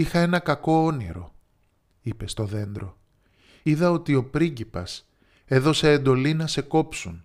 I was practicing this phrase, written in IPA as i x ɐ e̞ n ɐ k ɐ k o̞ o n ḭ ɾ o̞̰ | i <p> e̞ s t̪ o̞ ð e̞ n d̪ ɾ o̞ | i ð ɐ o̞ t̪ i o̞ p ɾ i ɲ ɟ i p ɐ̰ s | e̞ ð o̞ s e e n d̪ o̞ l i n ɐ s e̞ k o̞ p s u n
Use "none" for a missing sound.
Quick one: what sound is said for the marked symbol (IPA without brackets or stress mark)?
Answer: p